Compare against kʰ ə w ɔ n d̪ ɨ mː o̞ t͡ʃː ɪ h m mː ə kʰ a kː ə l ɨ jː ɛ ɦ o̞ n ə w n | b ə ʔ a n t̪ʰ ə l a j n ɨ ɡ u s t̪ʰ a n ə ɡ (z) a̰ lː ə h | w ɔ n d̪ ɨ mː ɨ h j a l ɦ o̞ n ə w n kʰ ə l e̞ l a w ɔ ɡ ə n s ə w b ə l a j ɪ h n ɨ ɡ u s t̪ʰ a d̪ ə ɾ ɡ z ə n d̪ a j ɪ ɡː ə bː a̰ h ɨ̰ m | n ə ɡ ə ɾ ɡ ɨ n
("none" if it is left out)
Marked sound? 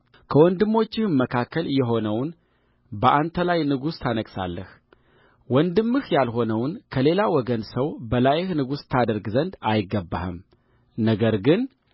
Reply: s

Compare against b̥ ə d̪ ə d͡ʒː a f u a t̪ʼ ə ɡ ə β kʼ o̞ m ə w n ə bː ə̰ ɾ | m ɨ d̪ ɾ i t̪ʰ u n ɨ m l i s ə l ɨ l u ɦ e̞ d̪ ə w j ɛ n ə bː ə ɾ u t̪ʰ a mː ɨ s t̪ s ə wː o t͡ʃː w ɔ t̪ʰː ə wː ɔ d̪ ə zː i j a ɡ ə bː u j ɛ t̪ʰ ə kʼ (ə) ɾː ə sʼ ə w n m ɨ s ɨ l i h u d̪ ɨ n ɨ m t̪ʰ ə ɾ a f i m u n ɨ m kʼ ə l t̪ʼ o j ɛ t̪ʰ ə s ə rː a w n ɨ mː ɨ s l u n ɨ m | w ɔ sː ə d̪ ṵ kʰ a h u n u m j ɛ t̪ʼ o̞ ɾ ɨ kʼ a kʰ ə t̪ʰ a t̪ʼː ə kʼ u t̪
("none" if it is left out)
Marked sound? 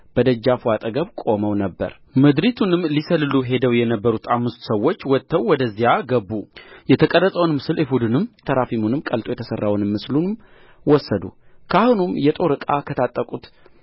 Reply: ə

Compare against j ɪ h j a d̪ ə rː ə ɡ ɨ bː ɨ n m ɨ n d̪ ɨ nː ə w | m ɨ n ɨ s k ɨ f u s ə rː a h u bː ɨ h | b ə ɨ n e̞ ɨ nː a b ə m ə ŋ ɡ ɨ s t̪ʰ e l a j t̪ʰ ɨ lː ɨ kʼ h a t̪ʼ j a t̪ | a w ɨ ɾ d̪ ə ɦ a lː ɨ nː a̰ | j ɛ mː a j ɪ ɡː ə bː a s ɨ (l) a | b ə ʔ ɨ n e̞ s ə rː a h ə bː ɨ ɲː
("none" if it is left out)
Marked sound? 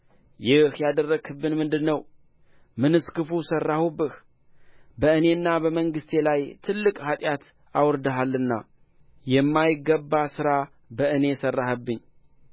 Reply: ɾ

